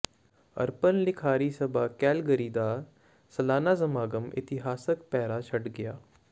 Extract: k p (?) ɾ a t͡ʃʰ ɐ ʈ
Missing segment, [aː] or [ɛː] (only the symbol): ɛː